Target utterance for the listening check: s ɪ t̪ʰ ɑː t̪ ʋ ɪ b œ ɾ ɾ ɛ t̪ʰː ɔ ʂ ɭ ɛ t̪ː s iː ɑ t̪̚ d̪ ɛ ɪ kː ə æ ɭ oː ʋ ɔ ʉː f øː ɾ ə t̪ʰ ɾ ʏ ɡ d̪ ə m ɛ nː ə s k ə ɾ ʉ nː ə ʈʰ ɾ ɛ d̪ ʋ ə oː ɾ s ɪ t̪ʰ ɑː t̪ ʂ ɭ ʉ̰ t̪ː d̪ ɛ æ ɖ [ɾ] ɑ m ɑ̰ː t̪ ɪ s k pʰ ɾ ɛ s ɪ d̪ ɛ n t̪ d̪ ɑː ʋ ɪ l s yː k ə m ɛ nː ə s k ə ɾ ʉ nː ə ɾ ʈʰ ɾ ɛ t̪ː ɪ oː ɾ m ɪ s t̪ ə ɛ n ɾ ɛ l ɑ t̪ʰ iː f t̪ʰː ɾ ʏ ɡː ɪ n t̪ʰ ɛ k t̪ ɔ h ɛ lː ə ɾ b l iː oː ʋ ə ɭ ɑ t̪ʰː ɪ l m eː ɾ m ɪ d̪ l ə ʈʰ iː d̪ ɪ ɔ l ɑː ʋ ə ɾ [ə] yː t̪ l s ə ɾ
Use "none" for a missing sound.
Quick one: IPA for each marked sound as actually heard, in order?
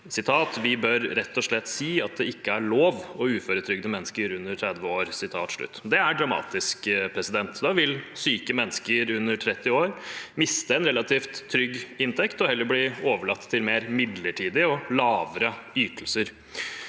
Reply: ɾ, ə

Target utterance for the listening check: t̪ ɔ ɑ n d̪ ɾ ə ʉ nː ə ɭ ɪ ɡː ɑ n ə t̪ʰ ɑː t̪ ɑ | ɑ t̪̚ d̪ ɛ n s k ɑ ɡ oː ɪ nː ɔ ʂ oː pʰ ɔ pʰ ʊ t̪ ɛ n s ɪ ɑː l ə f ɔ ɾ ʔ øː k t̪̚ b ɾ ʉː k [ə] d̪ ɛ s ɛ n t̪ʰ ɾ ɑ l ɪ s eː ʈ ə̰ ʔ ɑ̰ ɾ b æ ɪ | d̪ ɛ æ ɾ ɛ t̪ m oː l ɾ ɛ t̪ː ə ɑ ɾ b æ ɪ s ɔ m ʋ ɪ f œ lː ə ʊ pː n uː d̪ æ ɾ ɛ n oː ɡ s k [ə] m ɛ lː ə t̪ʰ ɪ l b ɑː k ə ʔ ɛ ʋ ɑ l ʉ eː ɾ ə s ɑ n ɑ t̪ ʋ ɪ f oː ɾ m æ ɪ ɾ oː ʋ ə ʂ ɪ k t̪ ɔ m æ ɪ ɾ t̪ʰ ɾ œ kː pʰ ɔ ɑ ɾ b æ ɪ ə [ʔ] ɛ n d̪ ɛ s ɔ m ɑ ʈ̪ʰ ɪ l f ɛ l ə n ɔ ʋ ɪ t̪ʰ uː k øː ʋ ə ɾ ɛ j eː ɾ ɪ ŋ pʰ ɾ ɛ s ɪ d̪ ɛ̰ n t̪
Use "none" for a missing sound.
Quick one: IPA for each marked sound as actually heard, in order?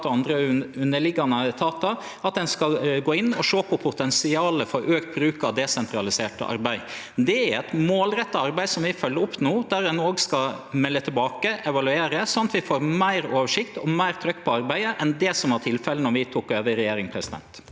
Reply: ɑ, ɑ, ʔ

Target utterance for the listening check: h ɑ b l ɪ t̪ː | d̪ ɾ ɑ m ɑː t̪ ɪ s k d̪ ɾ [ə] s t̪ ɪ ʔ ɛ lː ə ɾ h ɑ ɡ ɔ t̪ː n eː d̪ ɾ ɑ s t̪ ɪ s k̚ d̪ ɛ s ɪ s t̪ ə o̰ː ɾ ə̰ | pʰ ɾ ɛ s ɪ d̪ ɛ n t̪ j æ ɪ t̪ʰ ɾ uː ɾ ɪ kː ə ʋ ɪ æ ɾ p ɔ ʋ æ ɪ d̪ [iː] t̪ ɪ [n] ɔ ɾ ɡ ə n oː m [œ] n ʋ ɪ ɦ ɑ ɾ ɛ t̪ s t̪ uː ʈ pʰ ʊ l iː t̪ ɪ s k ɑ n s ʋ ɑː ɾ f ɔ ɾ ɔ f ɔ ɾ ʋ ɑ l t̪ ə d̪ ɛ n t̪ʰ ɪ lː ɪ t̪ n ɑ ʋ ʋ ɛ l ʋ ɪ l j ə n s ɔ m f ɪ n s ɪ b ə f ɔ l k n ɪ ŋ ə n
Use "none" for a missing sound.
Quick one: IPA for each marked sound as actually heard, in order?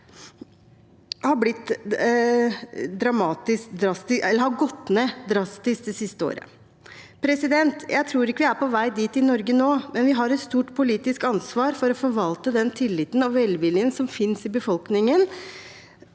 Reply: ɑ, iː, n, ɛ

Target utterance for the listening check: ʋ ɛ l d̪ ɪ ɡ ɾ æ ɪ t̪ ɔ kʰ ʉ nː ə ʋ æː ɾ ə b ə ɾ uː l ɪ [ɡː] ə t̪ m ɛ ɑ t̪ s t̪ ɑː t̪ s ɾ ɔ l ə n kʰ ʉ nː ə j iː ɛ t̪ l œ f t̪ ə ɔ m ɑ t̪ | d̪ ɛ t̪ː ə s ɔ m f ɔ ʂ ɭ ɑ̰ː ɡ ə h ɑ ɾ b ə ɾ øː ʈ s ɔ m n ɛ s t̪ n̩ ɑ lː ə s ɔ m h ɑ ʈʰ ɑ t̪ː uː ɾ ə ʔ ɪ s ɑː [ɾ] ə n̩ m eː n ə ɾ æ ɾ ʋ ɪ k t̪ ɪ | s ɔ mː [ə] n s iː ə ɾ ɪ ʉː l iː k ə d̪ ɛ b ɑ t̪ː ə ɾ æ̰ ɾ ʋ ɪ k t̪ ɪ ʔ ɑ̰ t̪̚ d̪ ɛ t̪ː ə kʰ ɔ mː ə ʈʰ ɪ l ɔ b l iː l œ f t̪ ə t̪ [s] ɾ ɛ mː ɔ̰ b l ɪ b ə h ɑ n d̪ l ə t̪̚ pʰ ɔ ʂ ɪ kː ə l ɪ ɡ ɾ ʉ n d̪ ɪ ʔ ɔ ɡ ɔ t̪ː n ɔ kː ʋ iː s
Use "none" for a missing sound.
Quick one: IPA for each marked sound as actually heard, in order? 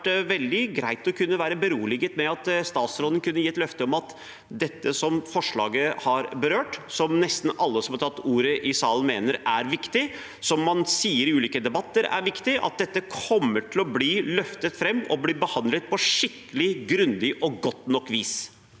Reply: ɡ, l, ɑ, f

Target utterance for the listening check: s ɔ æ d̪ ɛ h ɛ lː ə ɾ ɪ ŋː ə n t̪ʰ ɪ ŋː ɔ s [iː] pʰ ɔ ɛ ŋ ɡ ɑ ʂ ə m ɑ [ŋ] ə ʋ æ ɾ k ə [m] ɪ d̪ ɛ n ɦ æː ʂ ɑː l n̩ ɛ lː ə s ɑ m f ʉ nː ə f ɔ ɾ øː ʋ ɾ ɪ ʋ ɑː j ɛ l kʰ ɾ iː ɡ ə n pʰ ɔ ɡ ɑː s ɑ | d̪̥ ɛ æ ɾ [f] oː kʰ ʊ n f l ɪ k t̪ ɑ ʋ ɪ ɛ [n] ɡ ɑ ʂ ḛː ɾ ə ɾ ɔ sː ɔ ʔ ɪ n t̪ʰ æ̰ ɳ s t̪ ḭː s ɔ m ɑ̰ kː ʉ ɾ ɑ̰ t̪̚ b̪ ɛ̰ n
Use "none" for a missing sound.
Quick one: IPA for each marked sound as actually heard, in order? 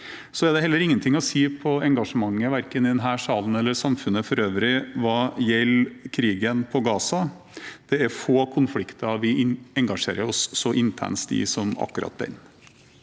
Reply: iː, ŋː, n, f, ŋ

